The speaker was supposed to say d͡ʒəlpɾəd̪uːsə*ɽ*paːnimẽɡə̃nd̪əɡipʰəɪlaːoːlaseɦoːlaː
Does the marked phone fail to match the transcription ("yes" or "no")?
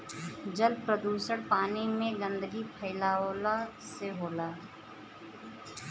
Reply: no